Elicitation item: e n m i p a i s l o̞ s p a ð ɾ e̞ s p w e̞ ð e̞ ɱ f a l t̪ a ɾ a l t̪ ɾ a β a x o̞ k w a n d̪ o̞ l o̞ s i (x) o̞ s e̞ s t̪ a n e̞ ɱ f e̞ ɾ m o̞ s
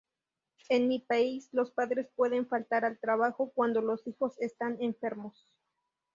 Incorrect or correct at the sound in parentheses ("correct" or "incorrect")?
correct